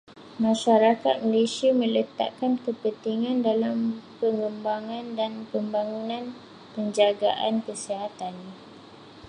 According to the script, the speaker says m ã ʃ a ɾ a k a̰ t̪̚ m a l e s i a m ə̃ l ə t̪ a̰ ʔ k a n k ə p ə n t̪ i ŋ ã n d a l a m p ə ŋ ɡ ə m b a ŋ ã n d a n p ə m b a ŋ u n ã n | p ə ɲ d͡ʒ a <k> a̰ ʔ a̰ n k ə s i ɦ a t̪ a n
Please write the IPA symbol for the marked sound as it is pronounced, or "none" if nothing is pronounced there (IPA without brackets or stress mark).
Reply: ɡ